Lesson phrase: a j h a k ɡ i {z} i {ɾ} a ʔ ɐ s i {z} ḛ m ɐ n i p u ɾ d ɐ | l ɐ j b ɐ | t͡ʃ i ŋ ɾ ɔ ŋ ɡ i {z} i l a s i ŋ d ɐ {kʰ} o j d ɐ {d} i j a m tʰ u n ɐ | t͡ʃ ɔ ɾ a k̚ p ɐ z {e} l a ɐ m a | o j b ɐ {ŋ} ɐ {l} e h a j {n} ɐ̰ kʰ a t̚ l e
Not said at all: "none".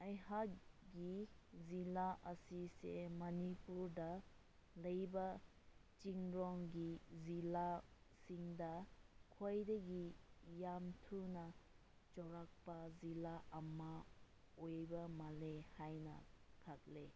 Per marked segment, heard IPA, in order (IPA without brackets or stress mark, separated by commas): z, l, s, z, kʰ, ɡ, i, m, l, n